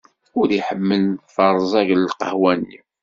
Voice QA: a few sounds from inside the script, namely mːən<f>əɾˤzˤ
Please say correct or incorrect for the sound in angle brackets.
correct